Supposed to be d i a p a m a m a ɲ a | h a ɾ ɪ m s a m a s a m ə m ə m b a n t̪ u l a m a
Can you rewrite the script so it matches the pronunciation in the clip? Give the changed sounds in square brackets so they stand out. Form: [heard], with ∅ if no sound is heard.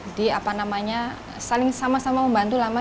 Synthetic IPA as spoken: d i a p a [n] a m a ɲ a | [s] a [l] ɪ [ŋ] s a m a s a m [a] m ə m b a n t̪ u l a m a